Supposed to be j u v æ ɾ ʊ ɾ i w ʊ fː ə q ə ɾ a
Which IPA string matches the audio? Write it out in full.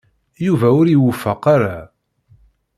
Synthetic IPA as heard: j u v æ ʊ ɾ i w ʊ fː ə q a ɾ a